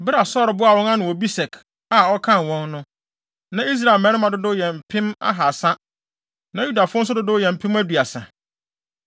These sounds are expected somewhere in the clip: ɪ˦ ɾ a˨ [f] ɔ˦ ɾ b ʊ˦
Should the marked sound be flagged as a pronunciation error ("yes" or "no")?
yes